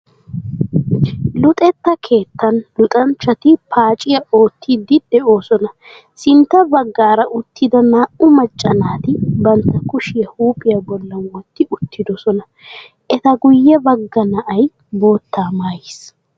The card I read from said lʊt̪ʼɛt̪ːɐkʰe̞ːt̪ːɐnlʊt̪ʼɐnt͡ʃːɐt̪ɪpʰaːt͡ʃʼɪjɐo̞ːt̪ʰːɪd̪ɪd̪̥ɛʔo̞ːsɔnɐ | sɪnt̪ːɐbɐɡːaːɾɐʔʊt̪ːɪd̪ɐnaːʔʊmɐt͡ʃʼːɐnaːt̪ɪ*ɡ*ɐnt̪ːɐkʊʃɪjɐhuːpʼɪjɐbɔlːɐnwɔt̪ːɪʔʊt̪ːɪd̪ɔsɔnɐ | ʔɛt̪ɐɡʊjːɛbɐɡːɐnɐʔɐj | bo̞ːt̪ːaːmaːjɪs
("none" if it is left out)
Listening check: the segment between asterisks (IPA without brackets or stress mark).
b